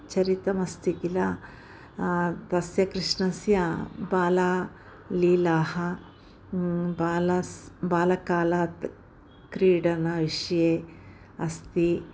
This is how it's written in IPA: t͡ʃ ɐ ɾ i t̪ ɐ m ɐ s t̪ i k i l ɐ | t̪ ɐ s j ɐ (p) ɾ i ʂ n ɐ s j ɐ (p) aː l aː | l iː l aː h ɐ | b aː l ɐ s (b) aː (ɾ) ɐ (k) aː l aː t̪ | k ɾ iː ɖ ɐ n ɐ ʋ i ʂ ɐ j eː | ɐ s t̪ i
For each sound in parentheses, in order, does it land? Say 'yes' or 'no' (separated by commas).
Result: no, no, yes, no, yes